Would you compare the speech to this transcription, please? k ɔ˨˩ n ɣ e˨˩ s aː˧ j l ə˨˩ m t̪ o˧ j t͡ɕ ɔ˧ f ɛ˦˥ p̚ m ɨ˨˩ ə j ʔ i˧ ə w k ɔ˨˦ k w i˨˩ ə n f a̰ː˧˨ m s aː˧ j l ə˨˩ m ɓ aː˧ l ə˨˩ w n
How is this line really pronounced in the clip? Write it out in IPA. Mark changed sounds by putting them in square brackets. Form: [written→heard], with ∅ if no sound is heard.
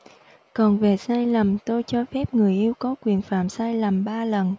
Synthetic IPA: k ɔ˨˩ n [ɣ→v] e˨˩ s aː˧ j l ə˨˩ m t̪ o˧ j t͡ɕ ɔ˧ f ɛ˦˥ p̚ [m→ŋ] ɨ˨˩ ə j ʔ i˧ ə w k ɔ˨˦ k w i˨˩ ə n f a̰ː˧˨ m s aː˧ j l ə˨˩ m ɓ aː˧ l ə˨˩ [w→∅] n